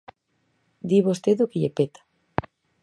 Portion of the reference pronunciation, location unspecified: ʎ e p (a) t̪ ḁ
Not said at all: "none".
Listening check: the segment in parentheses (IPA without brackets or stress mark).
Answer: e